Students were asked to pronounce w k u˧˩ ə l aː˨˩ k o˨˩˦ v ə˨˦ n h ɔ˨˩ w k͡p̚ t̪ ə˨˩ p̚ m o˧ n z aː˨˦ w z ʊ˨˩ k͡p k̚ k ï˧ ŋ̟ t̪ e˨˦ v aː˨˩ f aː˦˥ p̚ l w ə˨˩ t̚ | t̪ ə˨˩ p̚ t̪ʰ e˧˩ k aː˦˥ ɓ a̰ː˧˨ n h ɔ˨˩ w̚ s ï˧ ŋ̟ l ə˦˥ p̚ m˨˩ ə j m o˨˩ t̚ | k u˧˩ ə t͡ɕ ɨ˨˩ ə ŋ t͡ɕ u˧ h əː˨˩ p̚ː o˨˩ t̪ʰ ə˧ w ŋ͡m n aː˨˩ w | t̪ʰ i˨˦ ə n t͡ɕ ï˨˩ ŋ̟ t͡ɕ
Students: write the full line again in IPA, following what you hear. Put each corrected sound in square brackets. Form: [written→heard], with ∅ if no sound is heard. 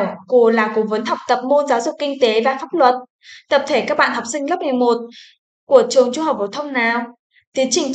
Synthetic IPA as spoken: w k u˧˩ ə l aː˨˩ k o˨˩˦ v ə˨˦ n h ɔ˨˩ w k͡p̚ t̪ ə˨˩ p̚ m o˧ n z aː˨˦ w z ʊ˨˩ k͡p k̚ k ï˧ ŋ̟ t̪ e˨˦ v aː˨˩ f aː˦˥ p̚ l w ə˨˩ t̚ | t̪ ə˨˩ p̚ t̪ʰ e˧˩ k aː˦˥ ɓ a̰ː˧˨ n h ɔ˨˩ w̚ s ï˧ ŋ̟ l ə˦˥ p̚ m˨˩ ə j m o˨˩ t̚ | k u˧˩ ə t͡ɕ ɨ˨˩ ə ŋ t͡ɕ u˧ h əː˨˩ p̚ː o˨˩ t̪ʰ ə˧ w ŋ͡m n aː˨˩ w | [t̪ʰ→t̪] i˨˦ ə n t͡ɕ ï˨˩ ŋ̟ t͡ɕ